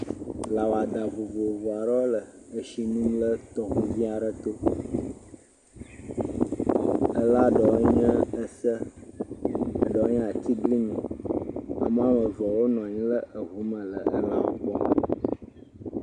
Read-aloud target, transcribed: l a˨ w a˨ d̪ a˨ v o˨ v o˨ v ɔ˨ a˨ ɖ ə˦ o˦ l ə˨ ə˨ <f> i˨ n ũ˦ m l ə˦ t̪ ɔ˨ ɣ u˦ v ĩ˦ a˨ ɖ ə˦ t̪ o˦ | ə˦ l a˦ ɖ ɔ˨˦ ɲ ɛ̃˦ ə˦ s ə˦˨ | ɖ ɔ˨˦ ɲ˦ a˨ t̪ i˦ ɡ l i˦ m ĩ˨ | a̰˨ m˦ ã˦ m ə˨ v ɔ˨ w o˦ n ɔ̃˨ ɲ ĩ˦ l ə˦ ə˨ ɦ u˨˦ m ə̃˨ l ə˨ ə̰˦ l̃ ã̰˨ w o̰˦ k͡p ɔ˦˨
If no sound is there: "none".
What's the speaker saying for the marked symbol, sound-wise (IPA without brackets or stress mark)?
ʃ